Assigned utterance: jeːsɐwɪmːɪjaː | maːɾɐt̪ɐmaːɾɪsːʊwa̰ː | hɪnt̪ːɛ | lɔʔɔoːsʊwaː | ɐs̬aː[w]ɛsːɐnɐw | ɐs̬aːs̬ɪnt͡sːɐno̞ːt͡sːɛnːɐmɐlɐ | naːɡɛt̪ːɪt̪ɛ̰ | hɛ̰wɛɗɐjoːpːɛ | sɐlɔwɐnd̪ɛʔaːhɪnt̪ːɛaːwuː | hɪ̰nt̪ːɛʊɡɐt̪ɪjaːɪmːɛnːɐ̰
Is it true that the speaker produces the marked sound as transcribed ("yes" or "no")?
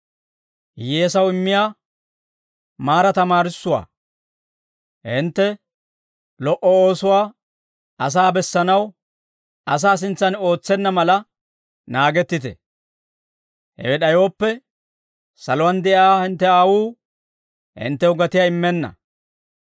no